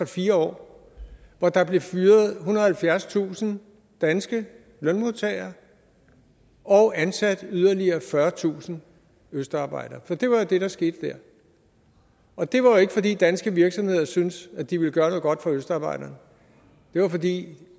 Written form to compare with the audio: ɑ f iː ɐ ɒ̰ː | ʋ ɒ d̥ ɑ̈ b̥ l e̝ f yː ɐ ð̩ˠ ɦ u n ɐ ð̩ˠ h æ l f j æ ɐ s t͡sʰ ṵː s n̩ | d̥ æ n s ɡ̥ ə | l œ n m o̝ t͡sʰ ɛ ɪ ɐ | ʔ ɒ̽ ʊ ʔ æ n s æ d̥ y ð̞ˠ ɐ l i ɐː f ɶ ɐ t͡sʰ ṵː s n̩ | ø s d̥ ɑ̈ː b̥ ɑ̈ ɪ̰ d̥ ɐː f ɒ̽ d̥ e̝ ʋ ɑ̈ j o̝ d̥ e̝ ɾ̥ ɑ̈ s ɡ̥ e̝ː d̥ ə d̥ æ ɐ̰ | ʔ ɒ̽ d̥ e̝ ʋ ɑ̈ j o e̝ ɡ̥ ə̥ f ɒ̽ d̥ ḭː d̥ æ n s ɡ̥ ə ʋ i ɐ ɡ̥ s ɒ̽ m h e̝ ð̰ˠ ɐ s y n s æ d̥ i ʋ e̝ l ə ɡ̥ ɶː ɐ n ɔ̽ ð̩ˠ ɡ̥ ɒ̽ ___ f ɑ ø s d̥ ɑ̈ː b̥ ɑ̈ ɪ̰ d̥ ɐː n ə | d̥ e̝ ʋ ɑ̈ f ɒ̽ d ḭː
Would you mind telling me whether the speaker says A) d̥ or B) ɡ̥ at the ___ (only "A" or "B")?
A